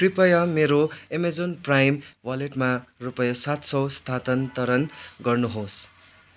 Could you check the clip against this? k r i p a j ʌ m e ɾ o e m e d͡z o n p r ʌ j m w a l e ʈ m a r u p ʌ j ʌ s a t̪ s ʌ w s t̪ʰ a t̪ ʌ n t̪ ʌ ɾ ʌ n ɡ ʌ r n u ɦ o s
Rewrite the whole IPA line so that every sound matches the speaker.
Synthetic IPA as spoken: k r i p ʌ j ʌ m e ɾ o e m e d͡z o n p r a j m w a l e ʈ m a r u p ʌ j ʌ s a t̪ s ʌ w s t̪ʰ a t̪ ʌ n t̪ ʌ ɾ ʌ n ɡ ʌ r n u ɦ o s